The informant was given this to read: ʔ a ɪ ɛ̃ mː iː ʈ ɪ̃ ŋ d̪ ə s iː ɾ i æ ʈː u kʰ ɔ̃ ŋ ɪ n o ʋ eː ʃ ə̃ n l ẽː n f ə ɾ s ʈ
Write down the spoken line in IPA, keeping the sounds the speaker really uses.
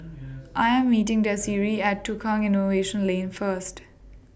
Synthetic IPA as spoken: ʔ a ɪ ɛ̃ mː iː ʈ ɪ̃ ŋ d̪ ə s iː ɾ i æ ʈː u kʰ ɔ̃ ŋ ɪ n o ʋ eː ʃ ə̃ n l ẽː n f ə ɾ s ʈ